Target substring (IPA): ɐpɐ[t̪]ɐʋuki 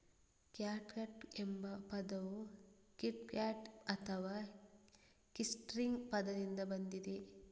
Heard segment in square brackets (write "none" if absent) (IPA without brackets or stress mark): d̪